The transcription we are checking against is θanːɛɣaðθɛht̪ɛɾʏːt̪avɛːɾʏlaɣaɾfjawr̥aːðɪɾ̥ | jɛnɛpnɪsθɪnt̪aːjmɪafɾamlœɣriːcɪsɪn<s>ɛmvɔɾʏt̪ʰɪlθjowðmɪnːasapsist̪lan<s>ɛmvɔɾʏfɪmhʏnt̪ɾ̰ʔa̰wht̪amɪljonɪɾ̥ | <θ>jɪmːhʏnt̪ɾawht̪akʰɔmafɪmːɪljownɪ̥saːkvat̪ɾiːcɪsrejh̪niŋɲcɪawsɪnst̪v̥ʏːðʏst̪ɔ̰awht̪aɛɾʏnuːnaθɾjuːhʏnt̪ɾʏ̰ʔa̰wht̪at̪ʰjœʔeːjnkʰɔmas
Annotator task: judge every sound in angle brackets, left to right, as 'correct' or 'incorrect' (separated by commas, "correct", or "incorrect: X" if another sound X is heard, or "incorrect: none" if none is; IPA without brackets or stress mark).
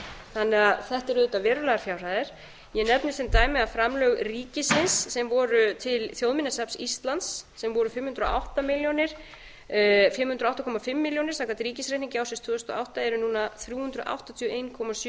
incorrect: sː, incorrect: sː, incorrect: f